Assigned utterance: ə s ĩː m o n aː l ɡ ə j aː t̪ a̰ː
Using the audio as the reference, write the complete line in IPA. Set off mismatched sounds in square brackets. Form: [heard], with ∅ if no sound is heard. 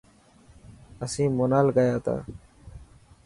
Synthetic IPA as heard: ə s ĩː m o n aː l ɡ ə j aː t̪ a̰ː